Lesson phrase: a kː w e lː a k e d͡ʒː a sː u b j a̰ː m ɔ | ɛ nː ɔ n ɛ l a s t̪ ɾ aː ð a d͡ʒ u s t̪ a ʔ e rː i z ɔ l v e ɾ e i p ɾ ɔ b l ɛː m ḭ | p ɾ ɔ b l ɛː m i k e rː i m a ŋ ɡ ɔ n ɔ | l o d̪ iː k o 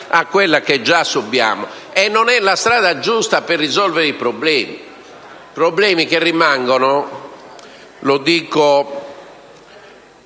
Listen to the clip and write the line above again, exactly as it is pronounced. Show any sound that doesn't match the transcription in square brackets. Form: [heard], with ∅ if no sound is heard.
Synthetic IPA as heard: a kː w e lː a k e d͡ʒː a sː u b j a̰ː m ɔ | ɛ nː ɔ n ɛ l a s t̪ ɾ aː ð a d͡ʒ u s t̪ a [p] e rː i z ɔ l v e ɾ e i p ɾ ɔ b l ɛː m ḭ | p ɾ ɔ b l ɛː m i k e rː i m a ŋ ɡ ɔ n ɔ | l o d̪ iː k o